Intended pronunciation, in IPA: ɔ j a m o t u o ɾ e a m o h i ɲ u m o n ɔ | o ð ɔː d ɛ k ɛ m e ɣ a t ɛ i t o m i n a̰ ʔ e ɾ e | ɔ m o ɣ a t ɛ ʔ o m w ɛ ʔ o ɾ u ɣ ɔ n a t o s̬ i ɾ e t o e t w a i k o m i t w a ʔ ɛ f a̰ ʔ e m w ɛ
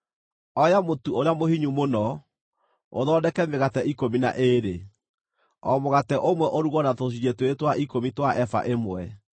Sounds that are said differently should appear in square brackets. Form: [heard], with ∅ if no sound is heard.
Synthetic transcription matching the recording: ɔ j a m o t u o ɾ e a m o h i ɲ u m o n ɔ | o ð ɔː d ɛ k ɛ m e ɣ a t ɛ i [k] o m i n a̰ ʔ e ɾ e | ɔ m o ɣ a t ɛ ʔ o m w ɛ ʔ o ɾ u ɣ ɔ n a t o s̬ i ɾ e t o e t w a i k o m i t w a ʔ ɛ f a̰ ʔ e m w ɛ